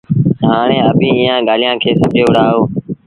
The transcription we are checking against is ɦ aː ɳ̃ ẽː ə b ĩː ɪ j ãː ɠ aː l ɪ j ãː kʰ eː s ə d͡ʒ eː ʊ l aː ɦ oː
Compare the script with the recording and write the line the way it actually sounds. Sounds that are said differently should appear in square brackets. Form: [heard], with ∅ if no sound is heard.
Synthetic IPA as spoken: ɦ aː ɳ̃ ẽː ə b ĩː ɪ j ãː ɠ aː l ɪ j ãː kʰ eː s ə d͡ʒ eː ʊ [ɽ] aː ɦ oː